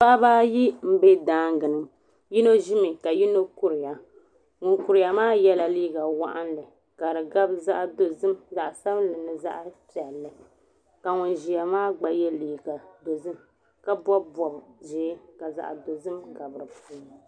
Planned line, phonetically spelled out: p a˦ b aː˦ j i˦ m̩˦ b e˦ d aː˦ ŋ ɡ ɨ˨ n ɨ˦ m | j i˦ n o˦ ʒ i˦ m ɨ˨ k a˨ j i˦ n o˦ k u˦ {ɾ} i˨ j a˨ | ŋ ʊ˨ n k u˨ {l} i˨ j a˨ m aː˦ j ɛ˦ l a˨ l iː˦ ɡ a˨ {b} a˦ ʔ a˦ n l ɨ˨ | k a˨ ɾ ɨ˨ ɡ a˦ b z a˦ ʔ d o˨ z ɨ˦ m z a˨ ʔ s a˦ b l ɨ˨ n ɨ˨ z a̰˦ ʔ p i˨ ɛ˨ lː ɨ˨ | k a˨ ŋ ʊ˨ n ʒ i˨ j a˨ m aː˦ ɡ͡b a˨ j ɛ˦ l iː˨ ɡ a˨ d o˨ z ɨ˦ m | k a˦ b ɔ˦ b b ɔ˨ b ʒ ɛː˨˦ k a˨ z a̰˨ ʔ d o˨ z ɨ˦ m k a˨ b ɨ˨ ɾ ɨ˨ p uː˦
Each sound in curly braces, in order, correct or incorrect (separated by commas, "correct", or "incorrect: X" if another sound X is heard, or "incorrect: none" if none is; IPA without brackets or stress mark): correct, incorrect: ɾ, incorrect: w